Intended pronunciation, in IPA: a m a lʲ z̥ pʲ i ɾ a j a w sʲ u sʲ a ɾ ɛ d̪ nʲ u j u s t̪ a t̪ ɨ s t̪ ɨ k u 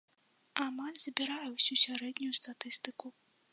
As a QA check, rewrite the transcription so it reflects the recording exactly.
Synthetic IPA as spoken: a m a lʲ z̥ bʲ i ɾ a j ɛ w sʲ u sʲ a ɾ ɛ d̪ nʲ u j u s t̪ a t̪ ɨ s t̪ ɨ k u